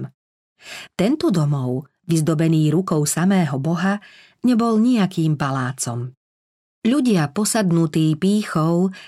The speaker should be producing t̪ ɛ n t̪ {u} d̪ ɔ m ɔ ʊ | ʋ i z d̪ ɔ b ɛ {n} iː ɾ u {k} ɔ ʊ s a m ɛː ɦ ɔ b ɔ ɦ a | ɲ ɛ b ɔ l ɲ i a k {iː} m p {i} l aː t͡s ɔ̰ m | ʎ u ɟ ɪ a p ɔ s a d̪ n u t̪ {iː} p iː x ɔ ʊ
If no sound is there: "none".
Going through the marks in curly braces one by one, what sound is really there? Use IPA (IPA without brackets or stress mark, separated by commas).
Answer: ɔ, n, k, iː, a, iː